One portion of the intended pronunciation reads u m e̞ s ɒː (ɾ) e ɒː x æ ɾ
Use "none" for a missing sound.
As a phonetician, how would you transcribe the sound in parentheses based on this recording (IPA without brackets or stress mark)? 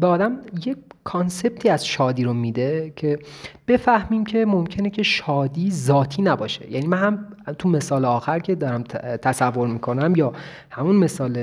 l